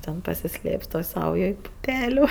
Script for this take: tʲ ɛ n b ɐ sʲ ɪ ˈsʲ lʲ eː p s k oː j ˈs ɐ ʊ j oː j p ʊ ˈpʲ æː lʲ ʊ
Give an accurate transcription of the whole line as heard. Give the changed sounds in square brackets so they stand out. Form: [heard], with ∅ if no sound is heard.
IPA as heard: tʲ ɛ n [p] ɐ sʲ ɪ ˈsʲ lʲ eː p s [t] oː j ˈs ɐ ʊ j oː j p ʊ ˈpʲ æː lʲ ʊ